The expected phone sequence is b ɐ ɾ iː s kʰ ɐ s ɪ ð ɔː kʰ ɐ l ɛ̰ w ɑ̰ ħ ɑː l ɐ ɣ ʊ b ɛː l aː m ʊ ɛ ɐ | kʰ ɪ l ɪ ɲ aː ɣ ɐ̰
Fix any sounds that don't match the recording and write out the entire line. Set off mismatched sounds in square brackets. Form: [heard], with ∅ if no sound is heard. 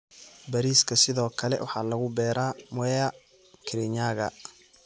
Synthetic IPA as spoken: b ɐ ɾ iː s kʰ ɐ s ɪ ð ɔː kʰ ɐ l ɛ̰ w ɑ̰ ħ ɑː l ɐ ɣ ʊ b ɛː [ɾ] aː m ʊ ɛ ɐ | kʰ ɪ [ɾ] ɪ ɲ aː ɣ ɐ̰